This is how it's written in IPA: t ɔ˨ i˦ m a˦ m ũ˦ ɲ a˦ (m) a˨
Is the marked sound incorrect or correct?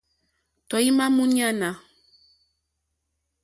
incorrect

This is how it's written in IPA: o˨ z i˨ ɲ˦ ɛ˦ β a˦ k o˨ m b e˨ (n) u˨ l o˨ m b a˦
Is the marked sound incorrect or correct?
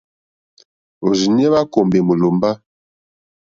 incorrect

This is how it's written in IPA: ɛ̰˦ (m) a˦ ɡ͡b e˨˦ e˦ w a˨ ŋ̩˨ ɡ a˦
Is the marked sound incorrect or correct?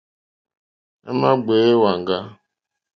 correct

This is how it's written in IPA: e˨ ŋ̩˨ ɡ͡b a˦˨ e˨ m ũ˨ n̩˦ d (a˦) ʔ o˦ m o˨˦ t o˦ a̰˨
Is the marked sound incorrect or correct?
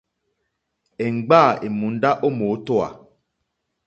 correct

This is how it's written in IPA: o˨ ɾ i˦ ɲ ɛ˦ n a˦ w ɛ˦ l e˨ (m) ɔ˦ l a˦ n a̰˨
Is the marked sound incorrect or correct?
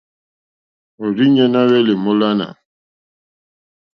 correct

